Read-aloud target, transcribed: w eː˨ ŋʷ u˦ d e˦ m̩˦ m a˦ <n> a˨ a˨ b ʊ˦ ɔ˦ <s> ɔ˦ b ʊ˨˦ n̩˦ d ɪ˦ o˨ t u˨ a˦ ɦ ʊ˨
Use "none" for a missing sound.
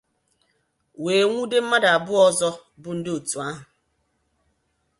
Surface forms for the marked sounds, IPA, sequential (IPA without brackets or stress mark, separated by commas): d, z